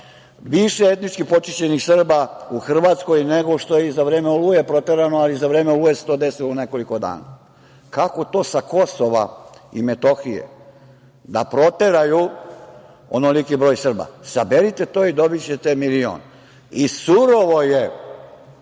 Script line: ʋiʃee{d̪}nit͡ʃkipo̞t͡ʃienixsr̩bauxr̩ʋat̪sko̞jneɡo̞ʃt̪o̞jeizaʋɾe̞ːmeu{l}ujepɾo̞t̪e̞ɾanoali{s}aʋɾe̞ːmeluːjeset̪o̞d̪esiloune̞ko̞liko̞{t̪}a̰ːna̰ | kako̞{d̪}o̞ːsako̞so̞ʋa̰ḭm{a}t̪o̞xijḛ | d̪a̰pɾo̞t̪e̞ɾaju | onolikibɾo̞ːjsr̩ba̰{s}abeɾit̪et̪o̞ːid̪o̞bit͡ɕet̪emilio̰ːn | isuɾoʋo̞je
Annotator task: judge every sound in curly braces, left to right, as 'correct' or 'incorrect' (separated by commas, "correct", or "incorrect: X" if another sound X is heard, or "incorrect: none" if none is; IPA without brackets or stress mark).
incorrect: t̪, correct, incorrect: z, incorrect: d̪, incorrect: t̪, incorrect: e, correct